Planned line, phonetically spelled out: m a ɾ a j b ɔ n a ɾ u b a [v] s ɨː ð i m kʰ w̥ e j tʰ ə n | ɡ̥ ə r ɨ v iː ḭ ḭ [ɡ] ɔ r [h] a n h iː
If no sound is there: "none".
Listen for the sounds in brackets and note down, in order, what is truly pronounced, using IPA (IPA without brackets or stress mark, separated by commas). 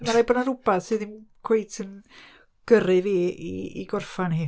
ð, ɡ, f